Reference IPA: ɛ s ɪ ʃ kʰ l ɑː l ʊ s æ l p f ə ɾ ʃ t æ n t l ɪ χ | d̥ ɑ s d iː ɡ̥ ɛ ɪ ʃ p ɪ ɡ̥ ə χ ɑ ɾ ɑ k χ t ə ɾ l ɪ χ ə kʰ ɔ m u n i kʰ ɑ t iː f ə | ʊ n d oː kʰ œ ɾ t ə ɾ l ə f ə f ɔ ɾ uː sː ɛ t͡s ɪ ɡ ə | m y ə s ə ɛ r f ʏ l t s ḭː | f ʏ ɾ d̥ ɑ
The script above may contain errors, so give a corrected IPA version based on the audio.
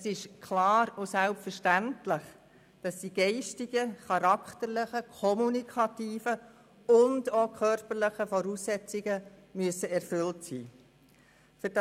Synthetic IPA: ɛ s ɪ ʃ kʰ l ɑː ɾ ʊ s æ l p f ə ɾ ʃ t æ n t l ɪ χ | d̥ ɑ s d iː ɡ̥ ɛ ɪ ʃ t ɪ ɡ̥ ə χ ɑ ɾ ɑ k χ t ə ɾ l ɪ χ ə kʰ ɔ m u n i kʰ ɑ t iː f ə | ʊ n d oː kʰ œ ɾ p ə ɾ l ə χ ə f ɔ ɾ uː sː ɛ t͡s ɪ ɡ ə | m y ə s ə ɛ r f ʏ l t s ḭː | f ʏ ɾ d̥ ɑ